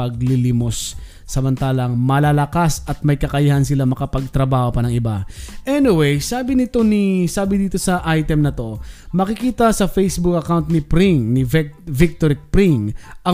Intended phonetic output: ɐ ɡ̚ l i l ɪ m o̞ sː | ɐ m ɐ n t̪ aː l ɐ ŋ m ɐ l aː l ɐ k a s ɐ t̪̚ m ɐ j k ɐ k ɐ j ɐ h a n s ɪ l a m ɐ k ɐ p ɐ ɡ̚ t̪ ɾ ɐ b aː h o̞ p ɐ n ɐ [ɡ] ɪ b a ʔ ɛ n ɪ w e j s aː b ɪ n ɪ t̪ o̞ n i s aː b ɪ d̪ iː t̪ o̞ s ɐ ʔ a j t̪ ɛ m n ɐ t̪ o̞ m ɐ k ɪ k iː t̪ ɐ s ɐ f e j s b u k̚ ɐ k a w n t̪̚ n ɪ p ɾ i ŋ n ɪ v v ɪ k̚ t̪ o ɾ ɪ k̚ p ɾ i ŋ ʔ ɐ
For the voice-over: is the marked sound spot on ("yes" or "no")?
no